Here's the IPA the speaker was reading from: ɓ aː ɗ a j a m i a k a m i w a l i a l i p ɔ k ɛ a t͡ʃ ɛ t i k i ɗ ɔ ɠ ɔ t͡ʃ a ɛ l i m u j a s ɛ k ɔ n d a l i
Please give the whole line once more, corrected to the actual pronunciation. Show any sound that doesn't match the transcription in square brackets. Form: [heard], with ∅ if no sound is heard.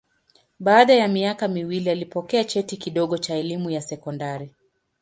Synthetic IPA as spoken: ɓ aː ɗ a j a m i a k a m i w [i] l i a l i p ɔ k ɛ a t͡ʃ ɛ t i k i ɗ ɔ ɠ ɔ t͡ʃ a ɛ l i m u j a s ɛ k ɔ n d a [ɾ] i